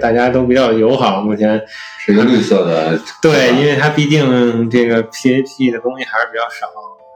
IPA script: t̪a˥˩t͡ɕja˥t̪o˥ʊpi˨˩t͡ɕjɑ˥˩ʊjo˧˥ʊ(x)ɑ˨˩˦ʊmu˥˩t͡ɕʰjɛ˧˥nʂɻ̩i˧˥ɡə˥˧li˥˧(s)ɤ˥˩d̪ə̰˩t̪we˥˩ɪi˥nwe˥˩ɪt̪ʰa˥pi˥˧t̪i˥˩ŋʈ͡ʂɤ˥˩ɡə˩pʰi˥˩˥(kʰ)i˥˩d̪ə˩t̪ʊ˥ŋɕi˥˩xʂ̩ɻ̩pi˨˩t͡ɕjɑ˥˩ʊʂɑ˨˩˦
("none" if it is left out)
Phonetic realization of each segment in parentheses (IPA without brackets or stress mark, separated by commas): x, s, pʰ